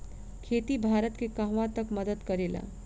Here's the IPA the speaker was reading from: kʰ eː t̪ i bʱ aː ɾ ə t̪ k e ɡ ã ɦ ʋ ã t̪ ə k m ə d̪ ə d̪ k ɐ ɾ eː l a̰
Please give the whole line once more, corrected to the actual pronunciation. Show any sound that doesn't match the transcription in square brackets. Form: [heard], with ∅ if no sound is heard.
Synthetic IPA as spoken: kʰ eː t̪ i bʱ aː ɾ ə t̪ k e [k] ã ɦ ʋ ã t̪ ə k m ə d̪ ə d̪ k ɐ ɾ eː l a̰